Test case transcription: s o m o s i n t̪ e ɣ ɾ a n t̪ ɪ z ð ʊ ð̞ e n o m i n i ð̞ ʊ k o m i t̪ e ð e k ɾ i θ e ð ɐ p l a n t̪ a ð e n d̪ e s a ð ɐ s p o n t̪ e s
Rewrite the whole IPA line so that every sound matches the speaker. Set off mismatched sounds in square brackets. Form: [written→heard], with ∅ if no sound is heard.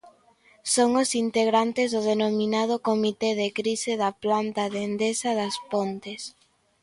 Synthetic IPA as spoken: s o [m→ŋ] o s i n t̪ e ɣ ɾ a n t̪ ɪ z ð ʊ ð̞ e n o m i n [i→a] ð̞ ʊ k o m i t̪ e ð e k ɾ i [θ→s] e ð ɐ p l a n t̪ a ð e n d̪ e s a ð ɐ s p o n t̪ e s